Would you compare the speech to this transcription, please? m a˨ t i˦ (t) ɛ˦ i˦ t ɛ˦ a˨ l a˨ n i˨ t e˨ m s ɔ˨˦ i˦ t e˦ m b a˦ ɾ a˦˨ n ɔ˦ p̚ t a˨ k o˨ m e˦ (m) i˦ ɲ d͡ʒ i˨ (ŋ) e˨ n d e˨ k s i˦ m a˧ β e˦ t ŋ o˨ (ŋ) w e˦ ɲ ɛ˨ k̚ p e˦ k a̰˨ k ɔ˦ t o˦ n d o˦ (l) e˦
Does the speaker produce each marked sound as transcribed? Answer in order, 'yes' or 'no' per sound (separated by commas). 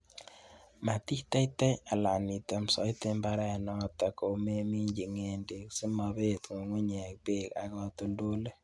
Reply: yes, yes, yes, yes, yes